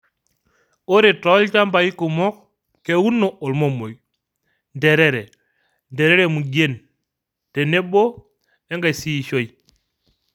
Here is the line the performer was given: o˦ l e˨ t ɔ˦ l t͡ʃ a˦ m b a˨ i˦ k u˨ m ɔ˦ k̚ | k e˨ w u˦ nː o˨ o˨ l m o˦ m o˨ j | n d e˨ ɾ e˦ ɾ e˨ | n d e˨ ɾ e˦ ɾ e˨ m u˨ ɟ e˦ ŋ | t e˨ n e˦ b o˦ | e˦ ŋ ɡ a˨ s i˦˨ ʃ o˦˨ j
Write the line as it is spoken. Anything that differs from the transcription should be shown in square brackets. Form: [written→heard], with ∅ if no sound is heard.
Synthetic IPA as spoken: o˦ [l→ɾ] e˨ t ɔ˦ l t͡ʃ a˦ m b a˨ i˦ k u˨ m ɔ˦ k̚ | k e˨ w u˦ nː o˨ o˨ l m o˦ m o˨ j | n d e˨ ɾ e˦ ɾ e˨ | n d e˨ ɾ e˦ ɾ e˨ m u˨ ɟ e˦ [ŋ→n] | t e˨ n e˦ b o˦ | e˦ ŋ ɡ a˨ s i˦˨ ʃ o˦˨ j